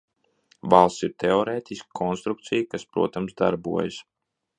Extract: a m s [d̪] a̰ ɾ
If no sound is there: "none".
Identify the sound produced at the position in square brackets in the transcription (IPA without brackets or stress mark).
d̪